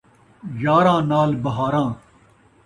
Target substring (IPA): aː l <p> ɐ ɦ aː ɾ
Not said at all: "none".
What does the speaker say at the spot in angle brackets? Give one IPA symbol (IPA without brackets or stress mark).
b